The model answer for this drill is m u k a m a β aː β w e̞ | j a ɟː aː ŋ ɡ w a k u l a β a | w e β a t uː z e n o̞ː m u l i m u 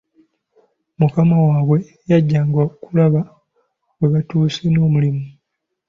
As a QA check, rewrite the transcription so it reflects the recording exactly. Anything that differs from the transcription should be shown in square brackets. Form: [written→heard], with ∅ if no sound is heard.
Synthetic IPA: m u k a m a [β→w] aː β w e̞ | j a ɟː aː ŋ ɡ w a k u l a β a | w e β a t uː [z→s] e n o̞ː m u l i m u